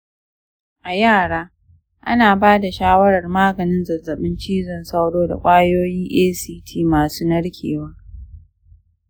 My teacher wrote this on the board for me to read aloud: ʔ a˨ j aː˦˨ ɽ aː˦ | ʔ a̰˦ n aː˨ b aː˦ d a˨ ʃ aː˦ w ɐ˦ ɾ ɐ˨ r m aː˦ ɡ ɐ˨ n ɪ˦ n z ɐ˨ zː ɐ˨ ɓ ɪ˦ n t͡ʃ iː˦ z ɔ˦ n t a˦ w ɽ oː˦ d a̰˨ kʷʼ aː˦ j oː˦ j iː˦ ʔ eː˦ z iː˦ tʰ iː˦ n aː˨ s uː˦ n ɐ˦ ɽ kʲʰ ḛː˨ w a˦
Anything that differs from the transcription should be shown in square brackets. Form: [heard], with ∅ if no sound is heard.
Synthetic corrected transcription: ʔ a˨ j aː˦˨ ɽ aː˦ | ʔ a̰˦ n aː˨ b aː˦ d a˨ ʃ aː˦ w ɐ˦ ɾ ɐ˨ r m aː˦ ɡ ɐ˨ n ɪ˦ n z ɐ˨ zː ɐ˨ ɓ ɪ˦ n t͡ʃ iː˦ z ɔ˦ n [s] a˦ w ɽ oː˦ d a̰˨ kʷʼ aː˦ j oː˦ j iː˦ ʔ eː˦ [s] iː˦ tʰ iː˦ [m] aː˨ s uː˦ n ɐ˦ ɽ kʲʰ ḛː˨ w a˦